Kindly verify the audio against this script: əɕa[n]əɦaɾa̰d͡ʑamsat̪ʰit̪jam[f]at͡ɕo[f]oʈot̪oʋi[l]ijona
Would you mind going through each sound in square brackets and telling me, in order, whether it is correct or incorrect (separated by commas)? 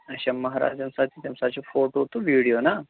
incorrect, incorrect, correct, incorrect